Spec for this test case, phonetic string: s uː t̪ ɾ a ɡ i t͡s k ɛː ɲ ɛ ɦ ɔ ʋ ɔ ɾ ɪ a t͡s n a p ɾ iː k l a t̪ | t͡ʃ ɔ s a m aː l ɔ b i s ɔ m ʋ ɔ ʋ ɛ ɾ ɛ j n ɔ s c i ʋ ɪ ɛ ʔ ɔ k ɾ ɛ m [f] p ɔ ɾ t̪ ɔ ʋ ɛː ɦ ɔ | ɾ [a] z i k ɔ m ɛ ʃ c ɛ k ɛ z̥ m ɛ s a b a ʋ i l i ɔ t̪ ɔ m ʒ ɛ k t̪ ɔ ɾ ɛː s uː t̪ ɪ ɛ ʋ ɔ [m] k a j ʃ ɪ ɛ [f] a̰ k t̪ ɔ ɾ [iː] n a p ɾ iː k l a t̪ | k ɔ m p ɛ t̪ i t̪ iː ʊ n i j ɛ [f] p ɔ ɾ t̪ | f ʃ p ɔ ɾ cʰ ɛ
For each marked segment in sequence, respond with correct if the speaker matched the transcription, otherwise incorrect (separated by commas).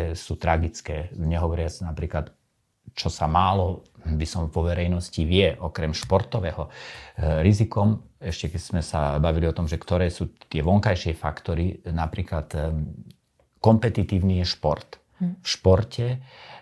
incorrect, incorrect, incorrect, correct, incorrect, incorrect